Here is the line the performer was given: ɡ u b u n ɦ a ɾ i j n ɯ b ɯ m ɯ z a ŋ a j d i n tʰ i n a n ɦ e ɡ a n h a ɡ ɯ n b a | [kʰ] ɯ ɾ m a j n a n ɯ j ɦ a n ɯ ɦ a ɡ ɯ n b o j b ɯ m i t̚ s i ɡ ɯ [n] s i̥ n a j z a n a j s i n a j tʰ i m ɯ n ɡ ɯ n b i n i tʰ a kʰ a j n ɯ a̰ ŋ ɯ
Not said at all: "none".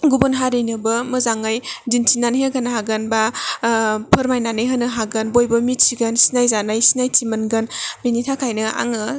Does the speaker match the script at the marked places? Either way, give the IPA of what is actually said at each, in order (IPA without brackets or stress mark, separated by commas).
pʰ, n